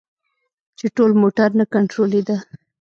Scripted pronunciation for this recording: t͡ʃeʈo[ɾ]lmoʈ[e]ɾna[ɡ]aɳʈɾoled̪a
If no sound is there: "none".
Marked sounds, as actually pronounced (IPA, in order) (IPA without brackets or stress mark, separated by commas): none, a, k